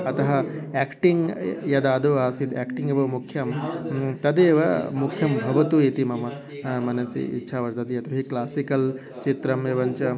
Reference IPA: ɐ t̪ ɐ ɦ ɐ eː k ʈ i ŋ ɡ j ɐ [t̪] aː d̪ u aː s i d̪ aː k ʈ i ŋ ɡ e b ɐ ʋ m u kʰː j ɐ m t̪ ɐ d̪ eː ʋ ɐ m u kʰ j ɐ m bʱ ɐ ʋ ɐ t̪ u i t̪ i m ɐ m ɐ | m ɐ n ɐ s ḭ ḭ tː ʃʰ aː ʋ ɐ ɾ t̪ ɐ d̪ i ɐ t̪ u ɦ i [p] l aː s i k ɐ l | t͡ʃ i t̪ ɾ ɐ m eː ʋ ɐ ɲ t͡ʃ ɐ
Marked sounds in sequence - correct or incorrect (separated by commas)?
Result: incorrect, incorrect